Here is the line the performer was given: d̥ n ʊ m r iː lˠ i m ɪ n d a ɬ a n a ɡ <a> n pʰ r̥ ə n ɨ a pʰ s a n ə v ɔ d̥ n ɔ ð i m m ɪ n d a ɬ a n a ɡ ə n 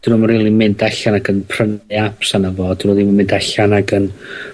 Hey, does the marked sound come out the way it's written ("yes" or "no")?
no